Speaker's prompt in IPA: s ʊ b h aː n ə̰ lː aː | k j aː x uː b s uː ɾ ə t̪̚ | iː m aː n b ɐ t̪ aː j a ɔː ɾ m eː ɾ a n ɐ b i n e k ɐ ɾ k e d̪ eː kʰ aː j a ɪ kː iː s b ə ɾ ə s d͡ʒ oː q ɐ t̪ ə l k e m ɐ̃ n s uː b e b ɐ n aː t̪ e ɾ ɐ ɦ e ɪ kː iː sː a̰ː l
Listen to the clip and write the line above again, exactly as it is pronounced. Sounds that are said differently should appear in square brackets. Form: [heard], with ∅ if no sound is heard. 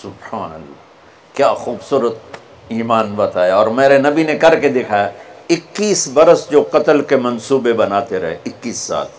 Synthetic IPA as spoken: s ʊ b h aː n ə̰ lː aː | k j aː x uː b s uː ɾ ə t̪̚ | iː m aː n b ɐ t̪ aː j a ɔː ɾ m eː ɾ [e] n ɐ b i n e k ɐ ɾ k e d̪ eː kʰ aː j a ɪ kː iː s b [ɐ] ɾ ə s d͡ʒ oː q ɐ t̪ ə l k e m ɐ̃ n s uː b e b ɐ n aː t̪ e ɾ ɐ ɦ e ɪ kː iː sː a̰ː l